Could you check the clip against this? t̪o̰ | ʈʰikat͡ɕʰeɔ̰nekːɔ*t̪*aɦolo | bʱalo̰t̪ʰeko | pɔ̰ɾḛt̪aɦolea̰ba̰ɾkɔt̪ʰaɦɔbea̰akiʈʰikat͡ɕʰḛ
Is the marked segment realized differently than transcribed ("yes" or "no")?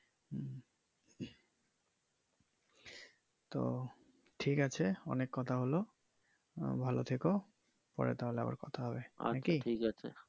yes